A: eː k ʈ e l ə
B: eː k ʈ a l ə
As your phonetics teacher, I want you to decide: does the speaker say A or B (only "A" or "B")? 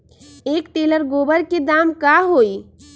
A